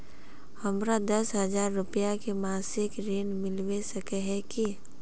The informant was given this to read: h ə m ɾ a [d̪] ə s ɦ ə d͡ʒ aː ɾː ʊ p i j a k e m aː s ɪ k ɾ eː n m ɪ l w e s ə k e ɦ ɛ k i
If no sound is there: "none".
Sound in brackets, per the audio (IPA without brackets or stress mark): d̪